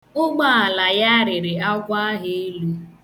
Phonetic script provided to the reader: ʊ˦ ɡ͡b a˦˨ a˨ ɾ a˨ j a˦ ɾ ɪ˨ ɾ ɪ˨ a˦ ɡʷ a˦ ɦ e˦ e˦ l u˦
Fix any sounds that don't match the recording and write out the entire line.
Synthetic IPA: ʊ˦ ɡ͡b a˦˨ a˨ l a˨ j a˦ ɾ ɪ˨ ɾ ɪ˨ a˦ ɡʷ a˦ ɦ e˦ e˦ l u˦

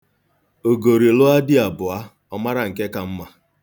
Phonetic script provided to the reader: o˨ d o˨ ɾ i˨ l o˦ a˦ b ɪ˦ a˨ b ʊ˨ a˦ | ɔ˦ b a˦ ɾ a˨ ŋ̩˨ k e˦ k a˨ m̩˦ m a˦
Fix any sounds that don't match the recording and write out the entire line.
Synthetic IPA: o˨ ɡ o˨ ɾ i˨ l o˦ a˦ d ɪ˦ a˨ b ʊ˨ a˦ | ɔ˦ m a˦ ɾ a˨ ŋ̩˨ k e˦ k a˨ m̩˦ m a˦

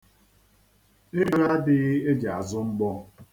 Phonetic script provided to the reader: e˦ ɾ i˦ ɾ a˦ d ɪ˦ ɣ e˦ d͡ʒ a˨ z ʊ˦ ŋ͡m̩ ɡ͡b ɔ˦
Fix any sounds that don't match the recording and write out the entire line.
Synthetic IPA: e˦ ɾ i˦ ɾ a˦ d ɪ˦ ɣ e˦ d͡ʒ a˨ z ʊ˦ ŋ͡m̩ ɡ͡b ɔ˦

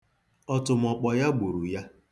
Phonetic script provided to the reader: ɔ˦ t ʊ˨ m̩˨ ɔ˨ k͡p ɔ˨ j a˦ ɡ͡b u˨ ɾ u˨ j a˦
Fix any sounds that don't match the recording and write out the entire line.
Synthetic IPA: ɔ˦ t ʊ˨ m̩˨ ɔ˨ k͡p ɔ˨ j a˦ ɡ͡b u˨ ɾ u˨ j a˦

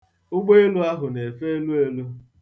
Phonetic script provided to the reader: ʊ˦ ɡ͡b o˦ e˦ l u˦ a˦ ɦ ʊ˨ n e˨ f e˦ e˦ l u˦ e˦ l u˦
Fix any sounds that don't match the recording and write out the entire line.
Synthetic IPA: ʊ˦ ɡ͡b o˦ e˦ l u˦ a˦ ɦ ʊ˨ n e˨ f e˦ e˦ l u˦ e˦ l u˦

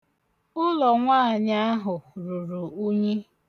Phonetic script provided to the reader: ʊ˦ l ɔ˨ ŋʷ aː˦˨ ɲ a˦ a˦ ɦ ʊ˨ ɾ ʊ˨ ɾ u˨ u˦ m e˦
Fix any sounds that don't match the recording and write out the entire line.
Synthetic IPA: ʊ˦ l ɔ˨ ŋʷ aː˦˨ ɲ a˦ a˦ ɦ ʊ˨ ɾ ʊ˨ ɾ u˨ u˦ ɲ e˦

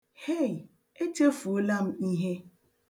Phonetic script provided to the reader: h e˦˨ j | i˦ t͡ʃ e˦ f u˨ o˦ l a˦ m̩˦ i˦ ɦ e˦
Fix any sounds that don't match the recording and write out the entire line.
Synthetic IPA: h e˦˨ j | e˦ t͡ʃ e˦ f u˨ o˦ l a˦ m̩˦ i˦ ɦ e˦

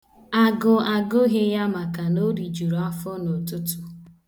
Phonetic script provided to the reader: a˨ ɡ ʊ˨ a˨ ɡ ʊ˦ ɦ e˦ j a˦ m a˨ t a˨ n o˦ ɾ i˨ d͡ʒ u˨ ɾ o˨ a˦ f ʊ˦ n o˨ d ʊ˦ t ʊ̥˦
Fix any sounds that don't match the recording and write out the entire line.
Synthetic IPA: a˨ ɡ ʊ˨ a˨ ɡ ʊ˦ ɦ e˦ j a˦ m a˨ k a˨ n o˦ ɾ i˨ d͡ʒ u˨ ɾ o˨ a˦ f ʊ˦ n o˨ t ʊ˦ t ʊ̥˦

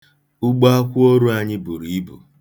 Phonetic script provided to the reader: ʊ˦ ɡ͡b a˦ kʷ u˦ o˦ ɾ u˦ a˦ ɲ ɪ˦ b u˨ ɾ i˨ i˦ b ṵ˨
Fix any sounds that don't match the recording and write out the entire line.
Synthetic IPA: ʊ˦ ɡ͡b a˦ kʷ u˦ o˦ ɾ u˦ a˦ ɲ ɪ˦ b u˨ ɾ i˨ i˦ b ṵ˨

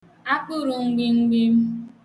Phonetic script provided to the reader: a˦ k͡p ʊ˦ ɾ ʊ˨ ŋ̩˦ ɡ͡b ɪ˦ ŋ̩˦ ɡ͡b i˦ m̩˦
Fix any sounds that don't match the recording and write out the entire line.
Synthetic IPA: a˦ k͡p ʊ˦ ɾ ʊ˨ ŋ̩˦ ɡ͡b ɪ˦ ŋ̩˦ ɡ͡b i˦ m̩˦

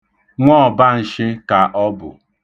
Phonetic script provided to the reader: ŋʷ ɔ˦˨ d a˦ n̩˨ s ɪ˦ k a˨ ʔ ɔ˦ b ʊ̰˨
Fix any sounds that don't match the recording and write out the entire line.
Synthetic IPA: ŋʷ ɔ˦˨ b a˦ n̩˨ ʃ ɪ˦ k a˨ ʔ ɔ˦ b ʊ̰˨

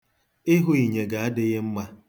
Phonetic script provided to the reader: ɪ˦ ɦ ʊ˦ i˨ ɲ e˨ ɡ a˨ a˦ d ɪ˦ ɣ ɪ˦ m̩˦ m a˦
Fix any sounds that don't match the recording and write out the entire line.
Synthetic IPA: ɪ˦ ɦ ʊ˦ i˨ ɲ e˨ ɡ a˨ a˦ d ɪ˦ ɣ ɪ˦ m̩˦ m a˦

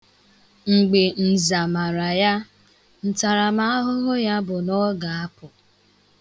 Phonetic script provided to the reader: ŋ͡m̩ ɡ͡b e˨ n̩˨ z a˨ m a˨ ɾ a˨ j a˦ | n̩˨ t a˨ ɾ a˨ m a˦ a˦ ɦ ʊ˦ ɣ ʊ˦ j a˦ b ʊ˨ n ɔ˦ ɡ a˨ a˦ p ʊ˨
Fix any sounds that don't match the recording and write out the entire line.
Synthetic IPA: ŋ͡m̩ ɡ͡b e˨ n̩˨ z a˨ m a˨ ɾ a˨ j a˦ | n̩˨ t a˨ ɾ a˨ m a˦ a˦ ɦ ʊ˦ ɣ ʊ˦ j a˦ b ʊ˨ n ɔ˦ ɡ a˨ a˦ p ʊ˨

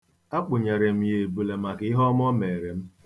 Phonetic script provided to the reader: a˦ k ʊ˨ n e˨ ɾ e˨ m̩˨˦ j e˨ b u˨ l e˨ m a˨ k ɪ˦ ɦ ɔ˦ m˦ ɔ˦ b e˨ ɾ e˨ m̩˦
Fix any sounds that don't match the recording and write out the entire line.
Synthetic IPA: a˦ k͡p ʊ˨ ɲ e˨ ɾ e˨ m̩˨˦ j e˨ b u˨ l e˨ m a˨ k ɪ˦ ɦ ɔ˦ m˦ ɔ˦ m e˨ ɾ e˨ m̩˦

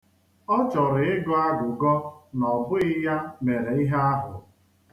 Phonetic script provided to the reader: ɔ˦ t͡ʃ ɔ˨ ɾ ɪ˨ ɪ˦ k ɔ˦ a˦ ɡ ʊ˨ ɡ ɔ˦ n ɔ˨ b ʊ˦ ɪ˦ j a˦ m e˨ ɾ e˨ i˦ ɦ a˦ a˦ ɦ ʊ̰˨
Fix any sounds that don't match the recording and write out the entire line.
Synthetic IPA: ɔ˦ t͡ʃ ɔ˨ ɾ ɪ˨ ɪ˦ ɡ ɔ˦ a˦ ɡ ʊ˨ ɡ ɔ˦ n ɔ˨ b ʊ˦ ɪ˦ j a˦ m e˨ ɾ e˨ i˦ ɦ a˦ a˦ ɦ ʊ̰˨

